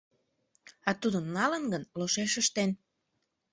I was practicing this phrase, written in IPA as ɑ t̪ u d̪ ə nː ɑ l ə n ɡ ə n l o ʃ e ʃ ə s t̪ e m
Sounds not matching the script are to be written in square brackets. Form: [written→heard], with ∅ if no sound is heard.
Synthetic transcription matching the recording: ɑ t̪ u d̪ ə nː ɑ l ə n ɡ ə n l o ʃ e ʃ ə [s→ʃ] t̪ e [m→n]